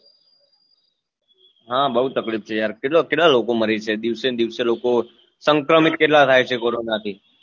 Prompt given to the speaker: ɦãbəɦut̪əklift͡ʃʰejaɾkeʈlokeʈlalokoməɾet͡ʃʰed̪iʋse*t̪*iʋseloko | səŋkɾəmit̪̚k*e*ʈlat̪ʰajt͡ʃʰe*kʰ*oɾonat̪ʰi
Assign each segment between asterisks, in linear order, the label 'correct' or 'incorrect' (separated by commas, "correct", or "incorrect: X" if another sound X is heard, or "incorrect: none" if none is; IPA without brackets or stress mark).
incorrect: d̪, correct, incorrect: k